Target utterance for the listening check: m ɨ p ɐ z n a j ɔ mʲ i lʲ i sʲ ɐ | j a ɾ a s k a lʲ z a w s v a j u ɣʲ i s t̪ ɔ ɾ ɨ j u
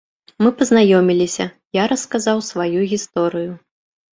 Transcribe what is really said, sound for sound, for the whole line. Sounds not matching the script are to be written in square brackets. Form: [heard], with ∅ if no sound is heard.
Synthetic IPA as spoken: m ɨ p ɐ z n a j ɔ mʲ i lʲ i sʲ ɐ | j a ɾ [ɐ] s k a [∅] z a w s v a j u ɣʲ i s t̪ ɔ ɾ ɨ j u